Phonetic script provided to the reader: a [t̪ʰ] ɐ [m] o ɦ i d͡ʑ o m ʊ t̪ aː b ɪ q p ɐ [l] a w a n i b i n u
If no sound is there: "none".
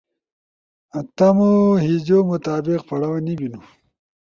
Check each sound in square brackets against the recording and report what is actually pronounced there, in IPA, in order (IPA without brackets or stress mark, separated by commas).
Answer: t̪, m, ɽ